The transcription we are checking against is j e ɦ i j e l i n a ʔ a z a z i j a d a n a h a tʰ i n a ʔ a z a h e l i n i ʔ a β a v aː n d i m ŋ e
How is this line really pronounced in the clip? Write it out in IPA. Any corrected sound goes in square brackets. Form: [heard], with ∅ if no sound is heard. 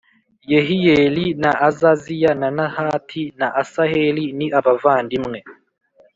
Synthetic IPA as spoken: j e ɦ i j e l i n a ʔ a z a z i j a [n] a n a h a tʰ i n a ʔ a [s] a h e l i n i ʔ a β a v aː n d i m ŋ e

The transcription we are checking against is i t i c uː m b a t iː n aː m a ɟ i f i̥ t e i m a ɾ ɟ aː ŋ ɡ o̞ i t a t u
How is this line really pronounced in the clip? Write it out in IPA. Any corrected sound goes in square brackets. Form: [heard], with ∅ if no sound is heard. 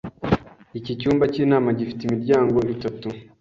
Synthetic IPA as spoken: i [c] i c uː m b a [c] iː n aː m a ɟ i f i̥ t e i m [i] ɾ ɟ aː ŋ ɡ o̞ i t a t u

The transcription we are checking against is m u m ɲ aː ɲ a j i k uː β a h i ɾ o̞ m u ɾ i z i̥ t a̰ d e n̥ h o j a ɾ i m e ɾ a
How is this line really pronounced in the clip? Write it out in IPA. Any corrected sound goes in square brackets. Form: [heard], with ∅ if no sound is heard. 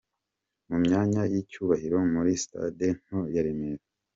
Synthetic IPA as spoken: m u m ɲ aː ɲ a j i [c] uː β a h i ɾ o̞ m u ɾ i [s] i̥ t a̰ d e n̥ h o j a ɾ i m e ɾ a

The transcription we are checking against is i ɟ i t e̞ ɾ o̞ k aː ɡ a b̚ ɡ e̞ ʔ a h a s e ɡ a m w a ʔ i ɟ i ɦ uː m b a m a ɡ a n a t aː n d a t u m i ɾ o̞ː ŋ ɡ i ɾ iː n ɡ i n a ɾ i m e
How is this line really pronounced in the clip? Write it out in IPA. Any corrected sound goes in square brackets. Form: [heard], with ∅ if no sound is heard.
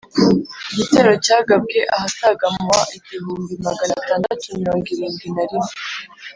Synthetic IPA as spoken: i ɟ i t e̞ ɾ o̞ [c] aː ɡ a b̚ ɡ e̞ ʔ a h a s [a] ɡ a m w a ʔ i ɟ i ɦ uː m b [i] m a ɡ a n a t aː n d a t u m i ɾ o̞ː ŋ ɡ i ɾ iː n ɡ i n a ɾ i m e

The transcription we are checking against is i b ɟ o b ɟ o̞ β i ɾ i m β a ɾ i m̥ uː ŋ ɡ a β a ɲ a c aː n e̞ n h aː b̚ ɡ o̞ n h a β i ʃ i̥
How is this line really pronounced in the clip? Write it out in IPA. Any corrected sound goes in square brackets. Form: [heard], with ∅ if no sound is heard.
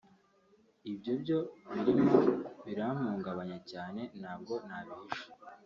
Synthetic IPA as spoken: i b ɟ o b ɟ o̞ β i ɾ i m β [i] ɾ [a] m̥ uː ŋ ɡ a β a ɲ a c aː n e̞ n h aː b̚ ɡ o̞ n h a β i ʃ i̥

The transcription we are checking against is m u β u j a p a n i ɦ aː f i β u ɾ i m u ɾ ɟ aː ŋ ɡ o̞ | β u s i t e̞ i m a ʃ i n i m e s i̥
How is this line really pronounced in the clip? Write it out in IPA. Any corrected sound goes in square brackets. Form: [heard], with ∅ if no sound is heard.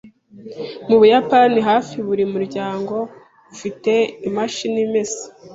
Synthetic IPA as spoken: m u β u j a p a n i ɦ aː f i β u ɾ i m u ɾ ɟ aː ŋ ɡ o̞ | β u [f] i t e̞ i m a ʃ i n i m e s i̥

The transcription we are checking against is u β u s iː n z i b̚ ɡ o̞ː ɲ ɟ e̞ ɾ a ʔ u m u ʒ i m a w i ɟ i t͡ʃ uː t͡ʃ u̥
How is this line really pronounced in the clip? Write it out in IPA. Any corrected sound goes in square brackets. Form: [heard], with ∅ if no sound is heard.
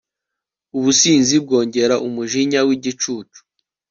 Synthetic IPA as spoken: u β u s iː n z i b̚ ɡ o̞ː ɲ ɟ e̞ ɾ a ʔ u m u ʒ i [ɲ] a w i ɟ i t͡ʃ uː t͡ʃ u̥

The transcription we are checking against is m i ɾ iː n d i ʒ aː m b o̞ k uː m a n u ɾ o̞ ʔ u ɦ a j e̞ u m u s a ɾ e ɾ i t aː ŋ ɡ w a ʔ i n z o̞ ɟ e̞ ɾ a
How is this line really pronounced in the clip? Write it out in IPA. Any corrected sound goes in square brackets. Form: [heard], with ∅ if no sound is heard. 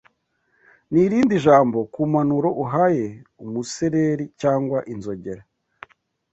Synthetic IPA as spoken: [n] i ɾ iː n d i ʒ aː m b o̞ k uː m a n u ɾ o̞ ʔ u ɦ a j e̞ u m u s [e] ɾ e ɾ i [c] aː ŋ ɡ w a ʔ i n z o̞ ɟ e̞ ɾ a

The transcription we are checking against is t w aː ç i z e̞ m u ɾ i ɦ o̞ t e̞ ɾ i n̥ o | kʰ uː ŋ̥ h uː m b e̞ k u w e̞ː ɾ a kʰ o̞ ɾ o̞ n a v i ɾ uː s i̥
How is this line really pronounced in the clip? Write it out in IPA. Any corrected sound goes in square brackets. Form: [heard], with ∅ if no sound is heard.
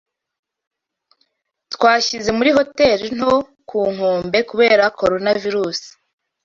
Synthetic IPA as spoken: t w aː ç i z e̞ m u ɾ i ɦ o̞ t e̞ ɾ i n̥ o | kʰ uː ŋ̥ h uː m b e̞ k u [β] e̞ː ɾ a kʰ o̞ ɾ o̞ n a v i ɾ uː s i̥

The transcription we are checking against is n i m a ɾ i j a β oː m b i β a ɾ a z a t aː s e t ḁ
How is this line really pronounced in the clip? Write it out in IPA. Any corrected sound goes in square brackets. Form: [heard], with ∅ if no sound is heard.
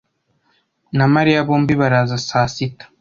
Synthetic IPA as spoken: n [a] m a ɾ i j a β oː m b i β a ɾ a z a [s] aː s [i] t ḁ

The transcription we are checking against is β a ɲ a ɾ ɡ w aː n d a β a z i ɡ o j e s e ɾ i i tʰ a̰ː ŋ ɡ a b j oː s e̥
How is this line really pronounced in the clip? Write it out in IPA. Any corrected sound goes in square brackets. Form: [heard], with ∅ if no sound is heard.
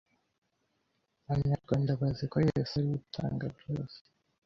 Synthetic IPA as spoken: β a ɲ a ɾ ɡ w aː n d a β a z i [k] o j e s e ɾ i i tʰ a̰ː ŋ ɡ a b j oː s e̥

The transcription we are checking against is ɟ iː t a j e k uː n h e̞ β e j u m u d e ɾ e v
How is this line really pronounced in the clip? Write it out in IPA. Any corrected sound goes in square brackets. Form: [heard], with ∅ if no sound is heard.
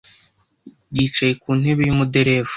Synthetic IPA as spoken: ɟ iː [t͡ʃ] a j e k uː n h e̞ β e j u m u d e ɾ e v

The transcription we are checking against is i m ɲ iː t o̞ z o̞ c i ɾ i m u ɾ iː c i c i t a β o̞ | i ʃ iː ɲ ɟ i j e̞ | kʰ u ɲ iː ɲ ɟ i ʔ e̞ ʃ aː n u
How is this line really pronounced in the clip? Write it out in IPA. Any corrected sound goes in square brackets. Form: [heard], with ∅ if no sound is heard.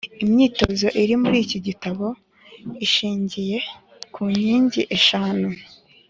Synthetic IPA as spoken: i m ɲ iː t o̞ z o̞ [ʔ] i ɾ i m u ɾ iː c i [ɟ] i t a β o̞ | i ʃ iː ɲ ɟ i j e̞ | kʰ u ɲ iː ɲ ɟ i ʔ e̞ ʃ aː n u

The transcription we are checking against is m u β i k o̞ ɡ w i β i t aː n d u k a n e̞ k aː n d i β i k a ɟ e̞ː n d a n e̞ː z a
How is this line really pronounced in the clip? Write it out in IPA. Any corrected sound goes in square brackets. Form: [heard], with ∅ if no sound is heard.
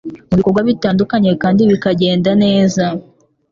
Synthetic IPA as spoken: m u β i k o̞ ɡ w [a] β i t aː n d u k a [ɲ] e̞ k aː n d i β i k a ɟ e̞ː n d a n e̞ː z a

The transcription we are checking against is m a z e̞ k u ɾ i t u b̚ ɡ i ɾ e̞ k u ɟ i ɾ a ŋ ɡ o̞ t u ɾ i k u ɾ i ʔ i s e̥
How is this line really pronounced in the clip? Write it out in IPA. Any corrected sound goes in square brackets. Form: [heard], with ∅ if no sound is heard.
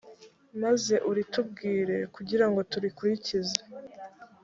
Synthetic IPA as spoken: m a z e̞ [ʔ] u ɾ i t u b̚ ɡ [iː] ɾ e̞ k u ɟ i ɾ a ŋ ɡ o̞ t u ɾ i k u ɾ i [c] i [z] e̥

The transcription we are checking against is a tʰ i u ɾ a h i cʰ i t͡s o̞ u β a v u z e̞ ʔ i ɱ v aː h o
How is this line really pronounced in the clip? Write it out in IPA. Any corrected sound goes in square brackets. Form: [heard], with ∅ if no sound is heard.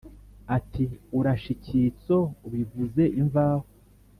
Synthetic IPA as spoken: a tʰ i u ɾ a [ʃ] i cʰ i t͡s o̞ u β [i] v u z e̞ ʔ i ɱ v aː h o

